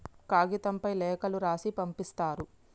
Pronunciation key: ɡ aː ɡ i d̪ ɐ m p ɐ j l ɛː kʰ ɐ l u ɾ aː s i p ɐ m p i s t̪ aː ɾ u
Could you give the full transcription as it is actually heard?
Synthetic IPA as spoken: k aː ɡ i t̪ ɐ m p ɐ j l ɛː k ɐ l u ɾ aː s i p ɐ m p i s t̪ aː ɾ u